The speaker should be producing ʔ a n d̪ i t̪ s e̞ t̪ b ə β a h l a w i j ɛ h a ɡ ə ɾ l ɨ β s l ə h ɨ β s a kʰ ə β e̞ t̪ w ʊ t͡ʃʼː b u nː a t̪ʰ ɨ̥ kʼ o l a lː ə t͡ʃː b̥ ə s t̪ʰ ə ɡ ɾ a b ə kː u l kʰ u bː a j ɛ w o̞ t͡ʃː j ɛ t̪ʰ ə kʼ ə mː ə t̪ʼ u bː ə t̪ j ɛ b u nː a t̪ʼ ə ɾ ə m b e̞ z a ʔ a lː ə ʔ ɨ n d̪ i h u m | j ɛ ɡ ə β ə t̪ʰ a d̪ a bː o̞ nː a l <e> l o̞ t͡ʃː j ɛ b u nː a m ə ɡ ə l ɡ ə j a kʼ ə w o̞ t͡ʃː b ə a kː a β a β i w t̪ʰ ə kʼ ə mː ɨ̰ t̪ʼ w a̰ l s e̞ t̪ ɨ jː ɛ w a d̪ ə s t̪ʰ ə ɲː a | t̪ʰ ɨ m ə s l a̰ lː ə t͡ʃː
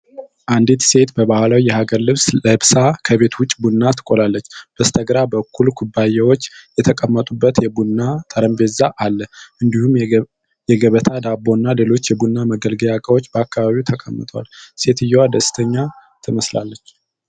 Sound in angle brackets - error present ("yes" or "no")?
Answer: no